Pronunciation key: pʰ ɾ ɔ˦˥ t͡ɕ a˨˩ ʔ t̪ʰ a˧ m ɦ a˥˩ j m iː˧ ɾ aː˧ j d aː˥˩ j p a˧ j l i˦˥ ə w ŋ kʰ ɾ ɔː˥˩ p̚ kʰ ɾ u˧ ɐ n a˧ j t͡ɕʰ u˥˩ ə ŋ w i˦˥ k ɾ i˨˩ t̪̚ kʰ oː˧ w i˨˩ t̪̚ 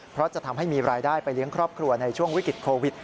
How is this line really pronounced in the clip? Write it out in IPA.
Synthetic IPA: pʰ ɾ ɔ˦˥ t͡ɕ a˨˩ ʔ t̪ʰ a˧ m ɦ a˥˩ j m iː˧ ɾ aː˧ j d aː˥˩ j p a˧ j l i˦˥ ə ŋ kʰ ɾ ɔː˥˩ p̚ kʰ ɾ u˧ ɐ n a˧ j t͡ɕʰ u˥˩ ə ŋ w i˦˥ k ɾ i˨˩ t̪̚ kʰ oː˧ w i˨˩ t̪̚